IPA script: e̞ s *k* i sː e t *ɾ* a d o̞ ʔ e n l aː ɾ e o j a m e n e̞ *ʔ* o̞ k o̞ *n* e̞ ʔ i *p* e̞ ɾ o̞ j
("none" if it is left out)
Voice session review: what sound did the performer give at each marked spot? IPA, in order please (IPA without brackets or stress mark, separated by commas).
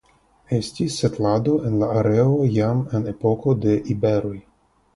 t, l, p, d, b